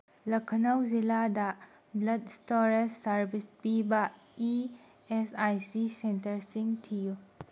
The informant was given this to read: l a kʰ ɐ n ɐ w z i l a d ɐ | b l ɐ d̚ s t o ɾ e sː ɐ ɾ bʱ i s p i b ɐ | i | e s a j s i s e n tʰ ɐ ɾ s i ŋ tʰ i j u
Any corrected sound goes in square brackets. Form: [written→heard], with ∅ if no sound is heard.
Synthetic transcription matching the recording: l [a→ɐ] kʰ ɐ n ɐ w z i l a d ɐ | b l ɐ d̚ s t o ɾ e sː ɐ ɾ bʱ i s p i b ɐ | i | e s a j s i s e n [tʰ→t] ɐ ɾ s i ŋ tʰ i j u